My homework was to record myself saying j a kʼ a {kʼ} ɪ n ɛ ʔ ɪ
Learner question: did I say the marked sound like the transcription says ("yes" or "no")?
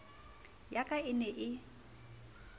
no